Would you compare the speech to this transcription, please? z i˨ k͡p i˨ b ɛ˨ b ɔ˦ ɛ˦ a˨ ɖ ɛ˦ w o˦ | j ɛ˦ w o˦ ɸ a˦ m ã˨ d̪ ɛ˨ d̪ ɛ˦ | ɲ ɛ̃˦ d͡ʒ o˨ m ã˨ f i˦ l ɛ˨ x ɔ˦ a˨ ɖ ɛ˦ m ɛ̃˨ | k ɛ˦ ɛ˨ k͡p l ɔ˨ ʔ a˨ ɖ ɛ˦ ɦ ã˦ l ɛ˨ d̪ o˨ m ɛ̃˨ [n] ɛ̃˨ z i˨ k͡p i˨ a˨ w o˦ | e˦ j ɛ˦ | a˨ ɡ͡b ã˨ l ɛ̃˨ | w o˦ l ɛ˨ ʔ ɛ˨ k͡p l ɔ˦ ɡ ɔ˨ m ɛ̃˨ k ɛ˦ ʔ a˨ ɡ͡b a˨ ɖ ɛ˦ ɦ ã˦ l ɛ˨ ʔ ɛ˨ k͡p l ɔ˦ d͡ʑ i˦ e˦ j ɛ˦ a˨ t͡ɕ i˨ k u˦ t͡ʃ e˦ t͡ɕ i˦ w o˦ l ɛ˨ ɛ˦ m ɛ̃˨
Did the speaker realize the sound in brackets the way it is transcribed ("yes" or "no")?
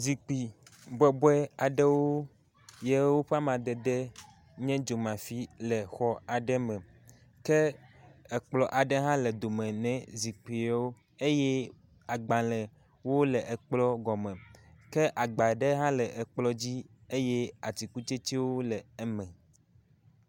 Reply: yes